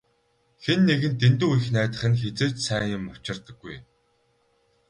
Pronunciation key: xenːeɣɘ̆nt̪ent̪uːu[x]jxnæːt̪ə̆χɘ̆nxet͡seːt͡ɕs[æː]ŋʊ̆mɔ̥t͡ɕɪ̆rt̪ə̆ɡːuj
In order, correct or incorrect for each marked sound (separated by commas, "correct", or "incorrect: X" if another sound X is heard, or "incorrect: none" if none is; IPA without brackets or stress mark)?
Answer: incorrect: none, correct